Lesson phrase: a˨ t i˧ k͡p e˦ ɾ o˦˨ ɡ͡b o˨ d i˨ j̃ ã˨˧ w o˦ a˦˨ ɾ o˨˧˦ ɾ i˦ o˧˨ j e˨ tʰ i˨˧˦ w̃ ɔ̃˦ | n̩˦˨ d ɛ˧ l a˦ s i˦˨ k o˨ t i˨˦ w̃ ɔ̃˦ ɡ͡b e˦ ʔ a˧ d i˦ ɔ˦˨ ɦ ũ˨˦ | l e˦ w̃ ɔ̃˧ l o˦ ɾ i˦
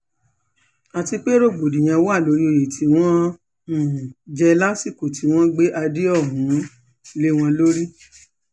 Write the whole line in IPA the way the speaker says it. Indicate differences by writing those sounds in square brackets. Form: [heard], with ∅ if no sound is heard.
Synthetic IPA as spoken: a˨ t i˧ k͡p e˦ ɾ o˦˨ ɡ͡b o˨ d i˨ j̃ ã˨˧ w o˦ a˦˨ [l] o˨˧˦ ɾ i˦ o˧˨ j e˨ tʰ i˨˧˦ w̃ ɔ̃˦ | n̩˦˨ [d͡ʒ] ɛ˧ l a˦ s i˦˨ k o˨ t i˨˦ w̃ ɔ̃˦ ɡ͡b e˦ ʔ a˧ d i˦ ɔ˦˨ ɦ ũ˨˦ | l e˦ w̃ ɔ̃˧ l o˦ ɾ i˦

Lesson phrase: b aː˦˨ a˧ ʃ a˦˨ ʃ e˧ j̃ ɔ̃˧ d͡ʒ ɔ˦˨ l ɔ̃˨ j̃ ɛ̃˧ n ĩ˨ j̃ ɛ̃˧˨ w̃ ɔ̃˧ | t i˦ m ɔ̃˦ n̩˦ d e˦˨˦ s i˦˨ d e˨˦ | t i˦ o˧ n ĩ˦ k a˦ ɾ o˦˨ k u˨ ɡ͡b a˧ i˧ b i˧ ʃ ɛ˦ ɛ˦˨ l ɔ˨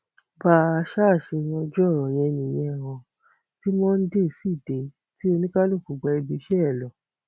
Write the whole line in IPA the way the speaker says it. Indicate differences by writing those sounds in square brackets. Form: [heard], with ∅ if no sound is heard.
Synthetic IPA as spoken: b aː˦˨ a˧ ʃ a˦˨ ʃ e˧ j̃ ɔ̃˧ d͡ʒ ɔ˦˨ [ɾ] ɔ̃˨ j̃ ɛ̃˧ n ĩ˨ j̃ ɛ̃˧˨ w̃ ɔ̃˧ | t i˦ m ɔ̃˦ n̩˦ d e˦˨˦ s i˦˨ d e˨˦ | t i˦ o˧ n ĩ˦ k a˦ [l] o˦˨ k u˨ ɡ͡b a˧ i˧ b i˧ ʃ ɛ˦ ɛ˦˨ l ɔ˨

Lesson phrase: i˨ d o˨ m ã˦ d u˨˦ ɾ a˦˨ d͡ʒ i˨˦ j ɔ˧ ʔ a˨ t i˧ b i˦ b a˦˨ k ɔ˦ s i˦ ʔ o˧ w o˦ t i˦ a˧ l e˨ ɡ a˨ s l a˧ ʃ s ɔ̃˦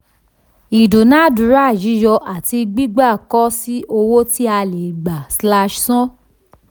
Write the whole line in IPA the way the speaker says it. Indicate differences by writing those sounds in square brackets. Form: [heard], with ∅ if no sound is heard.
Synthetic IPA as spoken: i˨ d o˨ [n] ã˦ d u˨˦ ɾ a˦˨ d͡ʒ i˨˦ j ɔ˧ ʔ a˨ t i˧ [ɡ͡b] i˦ [ɡ͡b] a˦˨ k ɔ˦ s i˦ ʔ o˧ w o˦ t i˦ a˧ l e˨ [ɡ͡b] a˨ s l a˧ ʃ s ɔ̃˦

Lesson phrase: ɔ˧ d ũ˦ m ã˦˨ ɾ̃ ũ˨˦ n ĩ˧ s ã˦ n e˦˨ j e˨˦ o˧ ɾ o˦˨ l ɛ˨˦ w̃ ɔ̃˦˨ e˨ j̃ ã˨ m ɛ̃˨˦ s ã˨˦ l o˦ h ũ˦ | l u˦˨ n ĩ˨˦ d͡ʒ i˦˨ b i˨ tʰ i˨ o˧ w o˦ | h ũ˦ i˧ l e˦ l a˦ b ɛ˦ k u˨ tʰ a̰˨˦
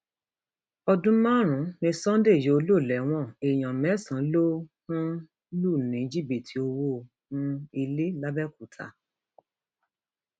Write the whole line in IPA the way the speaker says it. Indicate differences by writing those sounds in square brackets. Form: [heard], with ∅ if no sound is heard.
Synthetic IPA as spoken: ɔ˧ d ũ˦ m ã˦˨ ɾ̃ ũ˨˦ n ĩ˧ s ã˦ [d] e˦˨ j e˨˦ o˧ [l] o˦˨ l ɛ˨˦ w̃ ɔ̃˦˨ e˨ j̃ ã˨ m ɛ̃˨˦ s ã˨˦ l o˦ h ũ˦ | l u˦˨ n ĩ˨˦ d͡ʒ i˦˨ b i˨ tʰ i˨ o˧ w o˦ | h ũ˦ i˧ l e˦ l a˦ b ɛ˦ k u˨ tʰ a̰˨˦

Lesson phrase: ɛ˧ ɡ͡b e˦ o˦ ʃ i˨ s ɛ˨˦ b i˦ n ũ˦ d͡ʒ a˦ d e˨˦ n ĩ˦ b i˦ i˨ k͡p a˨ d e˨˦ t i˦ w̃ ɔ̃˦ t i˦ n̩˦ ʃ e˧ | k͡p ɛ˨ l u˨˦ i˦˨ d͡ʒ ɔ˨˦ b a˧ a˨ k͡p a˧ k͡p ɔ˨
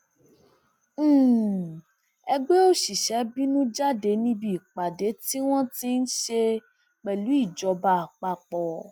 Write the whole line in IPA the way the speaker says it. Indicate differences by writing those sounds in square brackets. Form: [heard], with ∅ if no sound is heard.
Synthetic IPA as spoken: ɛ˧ ɡ͡b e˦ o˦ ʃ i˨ [ʃ] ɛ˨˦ b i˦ n ũ˦ d͡ʒ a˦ d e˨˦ n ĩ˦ b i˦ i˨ k͡p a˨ d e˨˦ t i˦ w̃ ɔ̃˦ t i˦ n̩˦ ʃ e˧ | k͡p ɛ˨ l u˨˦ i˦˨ d͡ʒ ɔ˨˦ b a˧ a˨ k͡p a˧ k͡p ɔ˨

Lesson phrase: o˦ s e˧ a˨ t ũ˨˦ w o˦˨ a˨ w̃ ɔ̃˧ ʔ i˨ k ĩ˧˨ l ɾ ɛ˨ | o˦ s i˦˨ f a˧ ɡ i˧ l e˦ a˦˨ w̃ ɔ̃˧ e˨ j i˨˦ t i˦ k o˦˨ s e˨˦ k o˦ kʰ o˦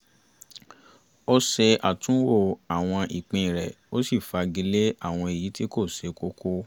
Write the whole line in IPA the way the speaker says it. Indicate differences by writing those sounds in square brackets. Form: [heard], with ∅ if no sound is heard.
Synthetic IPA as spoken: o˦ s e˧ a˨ t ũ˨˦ w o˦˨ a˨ w̃ ɔ̃˧ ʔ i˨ [k͡p] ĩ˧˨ [∅] ɾ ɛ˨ | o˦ s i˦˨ f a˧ ɡ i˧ l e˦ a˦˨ w̃ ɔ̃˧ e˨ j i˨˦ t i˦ k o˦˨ s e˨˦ k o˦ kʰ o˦

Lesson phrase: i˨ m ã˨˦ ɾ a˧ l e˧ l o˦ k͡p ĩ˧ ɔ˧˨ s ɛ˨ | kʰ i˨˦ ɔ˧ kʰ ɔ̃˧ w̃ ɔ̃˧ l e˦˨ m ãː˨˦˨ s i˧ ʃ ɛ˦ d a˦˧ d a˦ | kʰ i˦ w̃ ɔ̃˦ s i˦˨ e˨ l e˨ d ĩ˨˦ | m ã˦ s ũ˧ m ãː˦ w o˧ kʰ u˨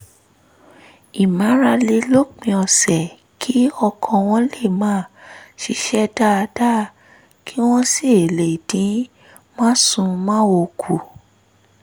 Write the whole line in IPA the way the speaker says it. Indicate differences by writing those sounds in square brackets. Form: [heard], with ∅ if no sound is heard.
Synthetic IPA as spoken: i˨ m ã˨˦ ɾ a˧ l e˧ l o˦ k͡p ĩ˧ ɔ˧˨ s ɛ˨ | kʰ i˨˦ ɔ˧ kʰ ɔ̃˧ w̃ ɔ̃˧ l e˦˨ m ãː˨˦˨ [ʃ] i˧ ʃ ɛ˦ d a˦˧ d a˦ | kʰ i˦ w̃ ɔ̃˦ s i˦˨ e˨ l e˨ d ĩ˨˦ | m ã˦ s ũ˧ m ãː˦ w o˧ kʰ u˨

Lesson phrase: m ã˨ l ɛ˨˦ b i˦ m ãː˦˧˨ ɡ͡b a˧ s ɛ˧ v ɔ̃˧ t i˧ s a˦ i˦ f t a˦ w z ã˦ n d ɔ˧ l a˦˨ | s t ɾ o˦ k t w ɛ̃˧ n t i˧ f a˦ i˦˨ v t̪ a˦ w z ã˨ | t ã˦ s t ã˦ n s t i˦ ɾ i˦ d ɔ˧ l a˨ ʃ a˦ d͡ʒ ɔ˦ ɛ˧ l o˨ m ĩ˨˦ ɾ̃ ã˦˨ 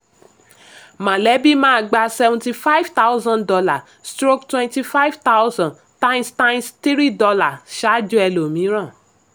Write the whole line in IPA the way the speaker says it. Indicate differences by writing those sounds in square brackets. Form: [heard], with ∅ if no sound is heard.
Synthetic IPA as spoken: m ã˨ l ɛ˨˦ b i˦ m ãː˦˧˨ ɡ͡b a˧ s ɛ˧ v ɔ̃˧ t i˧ [f] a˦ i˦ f t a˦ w z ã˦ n d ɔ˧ l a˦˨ | s t ɾ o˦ k t w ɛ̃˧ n t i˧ f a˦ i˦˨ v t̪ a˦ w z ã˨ | t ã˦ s t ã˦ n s t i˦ ɾ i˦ d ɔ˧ l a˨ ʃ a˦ d͡ʒ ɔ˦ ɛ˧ l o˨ m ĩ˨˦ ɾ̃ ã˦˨

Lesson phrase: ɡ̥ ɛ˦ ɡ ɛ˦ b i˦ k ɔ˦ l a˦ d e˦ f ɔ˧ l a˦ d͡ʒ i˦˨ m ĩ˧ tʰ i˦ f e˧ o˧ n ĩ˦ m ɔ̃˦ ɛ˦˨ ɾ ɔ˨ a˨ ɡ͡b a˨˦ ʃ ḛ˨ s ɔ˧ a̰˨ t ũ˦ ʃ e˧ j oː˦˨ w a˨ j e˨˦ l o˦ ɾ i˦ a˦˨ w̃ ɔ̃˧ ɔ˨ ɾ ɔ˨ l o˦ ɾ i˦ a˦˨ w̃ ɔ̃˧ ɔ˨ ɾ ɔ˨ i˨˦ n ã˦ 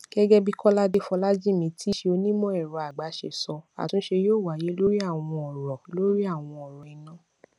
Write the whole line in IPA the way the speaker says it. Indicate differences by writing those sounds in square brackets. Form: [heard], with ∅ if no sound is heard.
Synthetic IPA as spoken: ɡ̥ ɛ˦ ɡ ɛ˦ b i˦ k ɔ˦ l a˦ d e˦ f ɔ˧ l a˦ d͡ʒ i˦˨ m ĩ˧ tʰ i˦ [ʃ] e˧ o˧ n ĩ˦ m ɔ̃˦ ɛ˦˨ ɾ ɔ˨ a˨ ɡ͡b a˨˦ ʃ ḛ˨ s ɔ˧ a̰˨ t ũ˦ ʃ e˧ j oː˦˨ w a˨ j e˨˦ l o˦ ɾ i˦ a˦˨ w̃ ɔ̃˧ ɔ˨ ɾ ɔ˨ l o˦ ɾ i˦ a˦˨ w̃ ɔ̃˧ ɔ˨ ɾ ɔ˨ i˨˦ n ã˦

